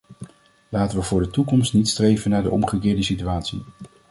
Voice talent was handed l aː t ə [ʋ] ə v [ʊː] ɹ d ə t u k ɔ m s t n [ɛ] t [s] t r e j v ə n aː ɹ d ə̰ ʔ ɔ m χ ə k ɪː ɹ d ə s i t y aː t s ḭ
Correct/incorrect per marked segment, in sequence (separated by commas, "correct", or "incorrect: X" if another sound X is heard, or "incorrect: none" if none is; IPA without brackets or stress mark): correct, correct, incorrect: i, correct